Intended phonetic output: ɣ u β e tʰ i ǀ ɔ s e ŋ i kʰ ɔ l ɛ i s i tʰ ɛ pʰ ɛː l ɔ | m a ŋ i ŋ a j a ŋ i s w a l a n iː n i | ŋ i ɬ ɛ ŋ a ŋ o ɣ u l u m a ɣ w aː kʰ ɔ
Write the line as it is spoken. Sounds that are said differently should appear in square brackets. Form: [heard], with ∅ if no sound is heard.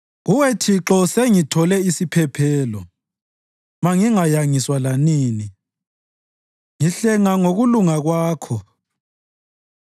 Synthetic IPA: ɣ u [w] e tʰ i [ǁ] ɔ s e ŋ i [tʰ] ɔ l ɛ i s i [pʰ] ɛ pʰ ɛː l ɔ | m a ŋ i ŋ a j a ŋ i s w a l a n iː n i | ŋ i ɬ ɛ ŋ a ŋ o ɣ u l u [ŋ] a ɣ w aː kʰ ɔ